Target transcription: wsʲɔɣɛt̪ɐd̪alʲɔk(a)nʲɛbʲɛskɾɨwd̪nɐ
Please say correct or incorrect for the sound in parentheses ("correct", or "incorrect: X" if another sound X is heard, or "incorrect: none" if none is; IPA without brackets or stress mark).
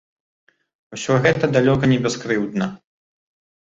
incorrect: ɐ